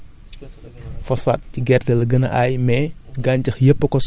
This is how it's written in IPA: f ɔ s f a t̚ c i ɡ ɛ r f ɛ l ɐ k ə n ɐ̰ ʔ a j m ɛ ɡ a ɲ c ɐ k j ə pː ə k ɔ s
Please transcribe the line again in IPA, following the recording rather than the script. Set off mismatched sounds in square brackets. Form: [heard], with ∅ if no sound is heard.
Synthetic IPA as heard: f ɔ s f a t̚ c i ɡ ɛ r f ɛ l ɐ [ɡ] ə n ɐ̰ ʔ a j m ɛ ɡ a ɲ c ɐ [x] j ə pː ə k ɔ s